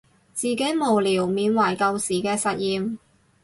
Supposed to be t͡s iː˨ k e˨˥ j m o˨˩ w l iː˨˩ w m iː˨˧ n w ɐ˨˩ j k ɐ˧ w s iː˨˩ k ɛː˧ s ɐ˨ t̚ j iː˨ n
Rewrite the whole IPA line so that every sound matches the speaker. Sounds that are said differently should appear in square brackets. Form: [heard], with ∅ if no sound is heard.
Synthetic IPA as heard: t͡s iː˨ k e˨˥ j m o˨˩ w l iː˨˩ w m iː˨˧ n w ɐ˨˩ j k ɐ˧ w s iː˨˩ k ɛː˧ s ɐ˨ t̚ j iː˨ [m]